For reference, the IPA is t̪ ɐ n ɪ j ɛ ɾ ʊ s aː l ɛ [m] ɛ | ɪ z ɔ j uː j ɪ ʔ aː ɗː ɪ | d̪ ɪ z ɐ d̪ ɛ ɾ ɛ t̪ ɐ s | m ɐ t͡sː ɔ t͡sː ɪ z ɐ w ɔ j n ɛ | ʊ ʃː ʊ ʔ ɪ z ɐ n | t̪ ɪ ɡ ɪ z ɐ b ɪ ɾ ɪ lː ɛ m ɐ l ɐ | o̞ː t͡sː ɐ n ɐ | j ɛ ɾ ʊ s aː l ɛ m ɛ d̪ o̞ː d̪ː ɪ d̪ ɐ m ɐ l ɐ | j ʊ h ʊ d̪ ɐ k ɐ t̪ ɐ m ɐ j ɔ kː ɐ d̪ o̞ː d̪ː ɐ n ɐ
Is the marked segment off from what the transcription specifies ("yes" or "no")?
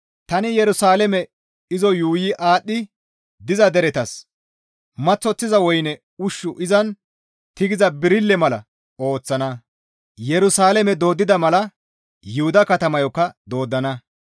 no